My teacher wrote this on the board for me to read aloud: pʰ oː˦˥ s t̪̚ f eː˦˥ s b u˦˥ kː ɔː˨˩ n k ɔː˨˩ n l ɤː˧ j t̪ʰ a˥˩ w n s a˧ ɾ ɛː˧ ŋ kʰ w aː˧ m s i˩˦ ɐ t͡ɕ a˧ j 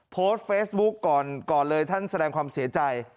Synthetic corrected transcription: pʰ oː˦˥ s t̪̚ f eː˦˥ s b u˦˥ kː ɔː˨˩ n k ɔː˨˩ n l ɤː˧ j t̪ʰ a˥˩ n s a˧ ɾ ɛː˧ ŋ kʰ w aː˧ m s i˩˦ ɐ t͡ɕ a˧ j